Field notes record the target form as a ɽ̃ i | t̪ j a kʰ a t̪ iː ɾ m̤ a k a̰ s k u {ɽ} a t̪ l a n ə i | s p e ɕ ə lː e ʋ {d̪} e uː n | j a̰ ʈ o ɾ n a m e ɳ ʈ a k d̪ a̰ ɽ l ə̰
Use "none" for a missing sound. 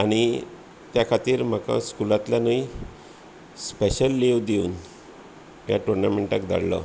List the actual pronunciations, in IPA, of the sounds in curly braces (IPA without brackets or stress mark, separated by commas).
l, d̪